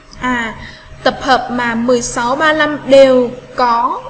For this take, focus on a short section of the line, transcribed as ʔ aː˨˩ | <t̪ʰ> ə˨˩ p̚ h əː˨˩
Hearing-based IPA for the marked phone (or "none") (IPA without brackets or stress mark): t̪